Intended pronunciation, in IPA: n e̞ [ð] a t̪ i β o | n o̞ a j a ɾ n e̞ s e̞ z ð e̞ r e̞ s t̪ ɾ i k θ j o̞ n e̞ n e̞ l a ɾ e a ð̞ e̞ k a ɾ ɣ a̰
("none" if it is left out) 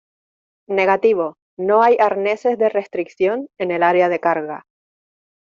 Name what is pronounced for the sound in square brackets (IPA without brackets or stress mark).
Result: ɣ